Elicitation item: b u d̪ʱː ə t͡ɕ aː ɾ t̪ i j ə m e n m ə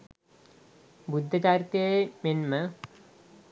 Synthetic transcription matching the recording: b u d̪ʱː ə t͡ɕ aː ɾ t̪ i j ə m e n m ə